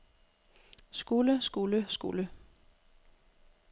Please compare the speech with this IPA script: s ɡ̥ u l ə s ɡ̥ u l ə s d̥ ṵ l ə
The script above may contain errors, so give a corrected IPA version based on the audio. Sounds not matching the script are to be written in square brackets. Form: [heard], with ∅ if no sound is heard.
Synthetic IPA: s ɡ̥ u l ə s ɡ̥ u l ə s [ɡ̥] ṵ l ə